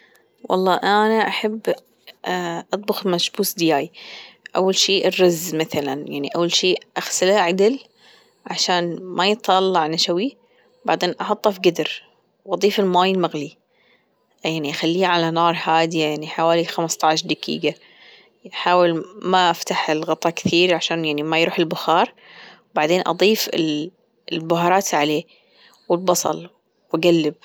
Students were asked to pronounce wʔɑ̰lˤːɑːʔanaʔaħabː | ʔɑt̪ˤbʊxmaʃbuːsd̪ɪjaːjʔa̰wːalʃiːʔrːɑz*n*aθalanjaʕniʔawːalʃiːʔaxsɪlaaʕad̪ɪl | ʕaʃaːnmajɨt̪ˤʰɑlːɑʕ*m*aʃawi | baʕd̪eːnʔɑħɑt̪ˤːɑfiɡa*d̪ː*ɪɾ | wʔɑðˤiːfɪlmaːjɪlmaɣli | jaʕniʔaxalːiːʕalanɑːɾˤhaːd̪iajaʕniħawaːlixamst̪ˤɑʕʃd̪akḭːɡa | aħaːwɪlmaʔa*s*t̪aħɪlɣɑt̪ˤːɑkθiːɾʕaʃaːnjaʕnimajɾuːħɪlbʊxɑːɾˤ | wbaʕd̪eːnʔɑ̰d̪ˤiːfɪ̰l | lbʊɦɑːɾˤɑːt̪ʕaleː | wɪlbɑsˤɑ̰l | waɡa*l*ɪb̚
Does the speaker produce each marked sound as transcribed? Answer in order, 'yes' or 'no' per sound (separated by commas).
no, no, no, no, no